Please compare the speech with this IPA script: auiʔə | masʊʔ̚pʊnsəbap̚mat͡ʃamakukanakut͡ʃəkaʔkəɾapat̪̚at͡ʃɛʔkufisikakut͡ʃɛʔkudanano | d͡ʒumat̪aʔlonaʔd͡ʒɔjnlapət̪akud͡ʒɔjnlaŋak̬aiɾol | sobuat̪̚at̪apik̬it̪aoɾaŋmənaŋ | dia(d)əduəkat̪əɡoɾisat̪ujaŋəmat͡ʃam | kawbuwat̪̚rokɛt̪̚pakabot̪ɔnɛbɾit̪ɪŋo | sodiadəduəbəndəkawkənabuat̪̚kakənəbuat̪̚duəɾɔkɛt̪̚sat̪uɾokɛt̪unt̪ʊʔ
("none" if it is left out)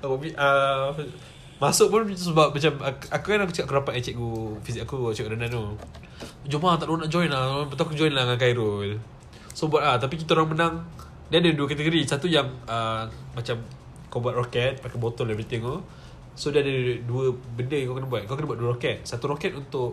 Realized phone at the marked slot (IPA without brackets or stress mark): d